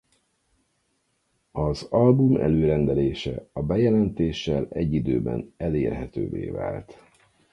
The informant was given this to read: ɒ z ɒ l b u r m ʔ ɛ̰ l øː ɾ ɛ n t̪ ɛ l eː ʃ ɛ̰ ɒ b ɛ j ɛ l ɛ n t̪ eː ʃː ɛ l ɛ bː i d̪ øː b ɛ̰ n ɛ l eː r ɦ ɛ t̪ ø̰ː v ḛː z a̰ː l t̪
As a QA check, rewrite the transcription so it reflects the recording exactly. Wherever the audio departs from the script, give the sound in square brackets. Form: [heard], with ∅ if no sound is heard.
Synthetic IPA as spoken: ɒ z ɒ l b u [∅] m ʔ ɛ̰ l øː ɾ ɛ n [d̪] ɛ l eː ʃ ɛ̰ ɒ b ɛ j ɛ l ɛ n t̪ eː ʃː ɛ l ɛ [ɟː] i d̪ øː b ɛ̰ n ɛ l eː r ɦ ɛ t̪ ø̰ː v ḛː [v] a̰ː l t̪